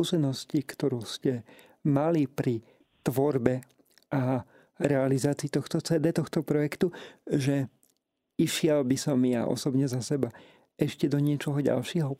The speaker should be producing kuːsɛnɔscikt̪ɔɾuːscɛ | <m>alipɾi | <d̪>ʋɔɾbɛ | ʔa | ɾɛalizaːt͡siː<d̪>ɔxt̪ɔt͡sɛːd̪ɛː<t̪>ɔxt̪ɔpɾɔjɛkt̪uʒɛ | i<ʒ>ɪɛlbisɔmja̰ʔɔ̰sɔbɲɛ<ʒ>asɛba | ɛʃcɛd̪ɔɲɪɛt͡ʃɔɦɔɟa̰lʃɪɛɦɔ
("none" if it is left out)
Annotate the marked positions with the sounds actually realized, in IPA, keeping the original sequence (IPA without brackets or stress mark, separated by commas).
m, t̪, t̪, t̪, ʃ, z